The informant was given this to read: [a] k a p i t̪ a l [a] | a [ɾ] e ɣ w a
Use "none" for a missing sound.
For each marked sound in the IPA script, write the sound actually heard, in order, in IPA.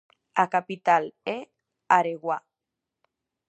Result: a, e, ɾ

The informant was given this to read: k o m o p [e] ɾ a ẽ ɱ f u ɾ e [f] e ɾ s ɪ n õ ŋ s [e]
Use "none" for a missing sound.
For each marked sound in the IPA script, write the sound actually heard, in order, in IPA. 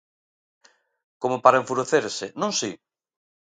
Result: a, θ, i

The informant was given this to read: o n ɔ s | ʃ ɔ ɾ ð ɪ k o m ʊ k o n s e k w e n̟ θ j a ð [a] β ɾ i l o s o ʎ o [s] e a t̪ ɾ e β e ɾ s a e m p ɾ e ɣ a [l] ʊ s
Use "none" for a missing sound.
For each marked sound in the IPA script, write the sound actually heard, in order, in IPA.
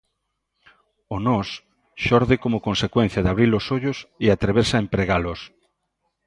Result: a, s, l

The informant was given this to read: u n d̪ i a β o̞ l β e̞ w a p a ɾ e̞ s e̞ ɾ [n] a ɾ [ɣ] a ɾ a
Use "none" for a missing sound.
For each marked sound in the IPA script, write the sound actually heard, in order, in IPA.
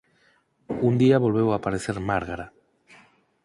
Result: m, ɣ

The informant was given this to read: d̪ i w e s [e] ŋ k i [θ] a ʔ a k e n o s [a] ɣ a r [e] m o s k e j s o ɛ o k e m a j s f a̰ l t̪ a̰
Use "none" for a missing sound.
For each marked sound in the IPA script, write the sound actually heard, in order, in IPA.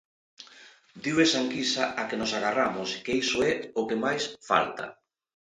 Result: a, s, a, a

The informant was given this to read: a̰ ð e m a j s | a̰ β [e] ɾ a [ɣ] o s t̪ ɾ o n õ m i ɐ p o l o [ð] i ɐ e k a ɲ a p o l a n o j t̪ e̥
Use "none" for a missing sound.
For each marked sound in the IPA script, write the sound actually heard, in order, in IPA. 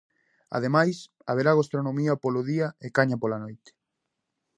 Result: e, ɣ, ð

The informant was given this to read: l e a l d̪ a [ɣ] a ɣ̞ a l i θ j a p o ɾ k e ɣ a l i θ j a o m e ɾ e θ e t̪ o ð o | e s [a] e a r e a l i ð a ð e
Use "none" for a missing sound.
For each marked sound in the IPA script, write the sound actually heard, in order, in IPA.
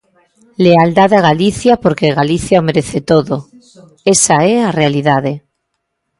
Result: ð, a

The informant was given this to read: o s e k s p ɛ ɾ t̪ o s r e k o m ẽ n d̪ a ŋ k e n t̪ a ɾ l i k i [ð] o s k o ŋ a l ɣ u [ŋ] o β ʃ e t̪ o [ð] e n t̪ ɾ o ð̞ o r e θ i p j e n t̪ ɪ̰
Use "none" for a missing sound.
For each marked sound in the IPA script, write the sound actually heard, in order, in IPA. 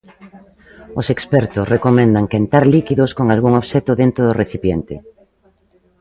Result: ð, ŋ, ð

